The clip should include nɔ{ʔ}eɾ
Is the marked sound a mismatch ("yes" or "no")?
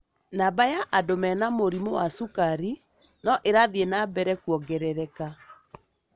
no